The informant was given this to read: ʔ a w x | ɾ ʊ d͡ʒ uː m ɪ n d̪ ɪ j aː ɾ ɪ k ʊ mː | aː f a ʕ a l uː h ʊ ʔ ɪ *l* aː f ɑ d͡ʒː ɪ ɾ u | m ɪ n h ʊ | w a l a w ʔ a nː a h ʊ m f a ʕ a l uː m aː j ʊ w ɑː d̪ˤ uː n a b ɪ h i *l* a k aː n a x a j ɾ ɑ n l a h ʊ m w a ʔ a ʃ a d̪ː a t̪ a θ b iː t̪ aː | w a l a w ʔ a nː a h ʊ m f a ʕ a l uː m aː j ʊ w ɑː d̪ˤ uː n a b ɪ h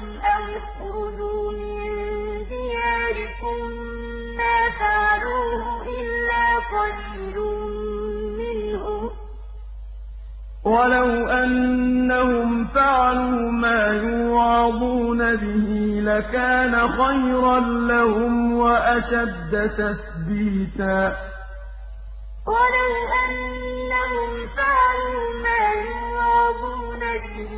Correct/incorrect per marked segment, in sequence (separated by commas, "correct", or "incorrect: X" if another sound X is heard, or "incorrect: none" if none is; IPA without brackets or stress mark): incorrect: lː, correct